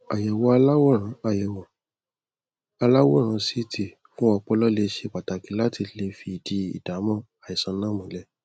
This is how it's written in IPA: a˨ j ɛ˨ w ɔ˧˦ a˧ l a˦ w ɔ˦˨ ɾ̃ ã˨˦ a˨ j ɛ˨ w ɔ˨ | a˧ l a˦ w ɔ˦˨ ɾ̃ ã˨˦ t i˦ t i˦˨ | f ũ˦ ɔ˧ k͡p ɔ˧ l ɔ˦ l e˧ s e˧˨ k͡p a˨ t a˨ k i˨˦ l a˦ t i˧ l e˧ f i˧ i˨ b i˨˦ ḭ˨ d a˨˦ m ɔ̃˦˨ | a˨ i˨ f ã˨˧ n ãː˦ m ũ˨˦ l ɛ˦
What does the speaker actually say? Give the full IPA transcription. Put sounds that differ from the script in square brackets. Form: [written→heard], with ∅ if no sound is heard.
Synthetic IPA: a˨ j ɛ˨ w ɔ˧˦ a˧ l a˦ w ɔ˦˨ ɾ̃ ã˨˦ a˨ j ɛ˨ w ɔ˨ | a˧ l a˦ w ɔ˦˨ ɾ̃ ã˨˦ [t→s] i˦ t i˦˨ | f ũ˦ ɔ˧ k͡p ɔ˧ l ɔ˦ l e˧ [s→ʃ] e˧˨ k͡p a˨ t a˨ k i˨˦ l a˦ t i˧ l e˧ f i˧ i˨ [b→d] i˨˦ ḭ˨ d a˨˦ m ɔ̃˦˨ | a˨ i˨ [f→s] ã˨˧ n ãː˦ m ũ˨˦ l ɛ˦